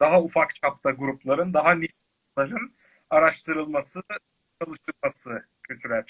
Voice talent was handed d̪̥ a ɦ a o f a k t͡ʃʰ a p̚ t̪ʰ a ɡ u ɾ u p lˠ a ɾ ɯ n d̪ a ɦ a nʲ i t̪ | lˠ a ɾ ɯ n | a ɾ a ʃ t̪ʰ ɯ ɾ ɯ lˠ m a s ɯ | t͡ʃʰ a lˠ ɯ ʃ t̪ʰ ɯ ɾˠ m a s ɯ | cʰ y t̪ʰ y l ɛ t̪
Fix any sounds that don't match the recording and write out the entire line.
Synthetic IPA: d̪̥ a ɦ a u f a k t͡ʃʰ a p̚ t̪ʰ a ɡ u ɾ u p lˠ a ɾ ɯ n d̪ a ɦ a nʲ i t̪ | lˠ a ɾ ɯ n | a ɾ a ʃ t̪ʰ ɯ ɾ ɯ lˠ m a s ɯ | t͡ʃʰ a lˠ ɯ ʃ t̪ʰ ɯ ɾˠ m a s ɯ | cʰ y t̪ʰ y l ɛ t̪